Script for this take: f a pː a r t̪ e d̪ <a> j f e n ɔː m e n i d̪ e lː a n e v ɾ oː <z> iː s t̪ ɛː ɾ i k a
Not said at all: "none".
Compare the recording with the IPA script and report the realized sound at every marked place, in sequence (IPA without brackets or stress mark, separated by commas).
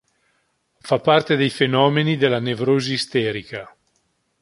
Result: e, z